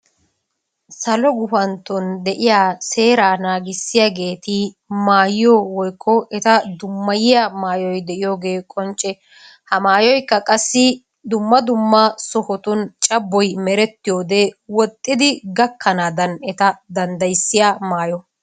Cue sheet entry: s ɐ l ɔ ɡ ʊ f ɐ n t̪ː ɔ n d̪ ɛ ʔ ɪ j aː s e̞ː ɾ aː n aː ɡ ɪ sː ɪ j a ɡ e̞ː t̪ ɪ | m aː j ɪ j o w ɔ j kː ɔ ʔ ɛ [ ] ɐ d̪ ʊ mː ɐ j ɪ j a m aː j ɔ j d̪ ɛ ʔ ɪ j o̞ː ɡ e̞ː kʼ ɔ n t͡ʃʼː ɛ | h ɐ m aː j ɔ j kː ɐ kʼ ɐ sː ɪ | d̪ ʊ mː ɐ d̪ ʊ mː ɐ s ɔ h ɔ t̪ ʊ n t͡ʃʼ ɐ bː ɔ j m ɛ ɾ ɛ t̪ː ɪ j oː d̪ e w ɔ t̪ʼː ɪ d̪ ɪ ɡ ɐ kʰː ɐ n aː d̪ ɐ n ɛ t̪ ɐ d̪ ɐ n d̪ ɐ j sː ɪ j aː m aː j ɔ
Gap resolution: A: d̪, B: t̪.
B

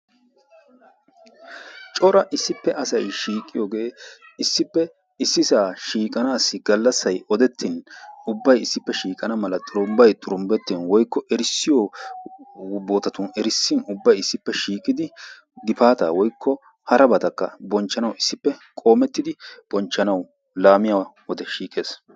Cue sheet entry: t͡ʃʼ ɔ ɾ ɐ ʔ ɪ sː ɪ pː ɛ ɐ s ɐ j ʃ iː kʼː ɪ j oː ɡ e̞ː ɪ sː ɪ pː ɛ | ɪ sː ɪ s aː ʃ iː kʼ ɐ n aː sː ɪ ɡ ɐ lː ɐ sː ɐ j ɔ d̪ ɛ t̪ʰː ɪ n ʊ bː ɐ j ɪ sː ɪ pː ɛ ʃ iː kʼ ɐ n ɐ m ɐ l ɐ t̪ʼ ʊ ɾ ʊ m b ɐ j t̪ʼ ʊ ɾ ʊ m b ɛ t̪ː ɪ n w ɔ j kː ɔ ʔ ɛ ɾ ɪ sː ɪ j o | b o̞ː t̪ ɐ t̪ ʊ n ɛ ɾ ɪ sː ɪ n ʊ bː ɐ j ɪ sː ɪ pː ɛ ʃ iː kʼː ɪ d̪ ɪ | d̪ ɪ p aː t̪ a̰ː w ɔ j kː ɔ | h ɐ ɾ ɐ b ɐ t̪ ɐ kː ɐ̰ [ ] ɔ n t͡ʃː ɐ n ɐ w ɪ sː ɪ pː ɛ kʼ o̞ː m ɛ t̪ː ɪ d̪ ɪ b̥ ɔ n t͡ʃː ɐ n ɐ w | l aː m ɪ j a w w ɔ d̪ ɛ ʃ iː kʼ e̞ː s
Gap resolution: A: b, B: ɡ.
A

